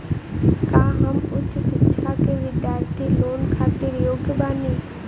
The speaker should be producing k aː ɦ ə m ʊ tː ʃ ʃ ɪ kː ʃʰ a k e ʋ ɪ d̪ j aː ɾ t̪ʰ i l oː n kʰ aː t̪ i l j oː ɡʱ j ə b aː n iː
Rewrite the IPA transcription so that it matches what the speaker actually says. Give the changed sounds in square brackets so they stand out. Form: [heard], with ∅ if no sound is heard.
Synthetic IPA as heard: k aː ɦ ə m ʊ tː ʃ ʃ ɪ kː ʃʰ a k e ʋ ɪ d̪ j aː ɾ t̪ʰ i l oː n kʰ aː t̪ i [ɾ] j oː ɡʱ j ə b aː n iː